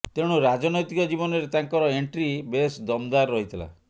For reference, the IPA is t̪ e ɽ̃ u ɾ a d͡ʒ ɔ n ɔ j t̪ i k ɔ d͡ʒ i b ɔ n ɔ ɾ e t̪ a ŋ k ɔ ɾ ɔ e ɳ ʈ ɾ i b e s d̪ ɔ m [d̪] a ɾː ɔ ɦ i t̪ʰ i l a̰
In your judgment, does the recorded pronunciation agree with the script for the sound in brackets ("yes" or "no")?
yes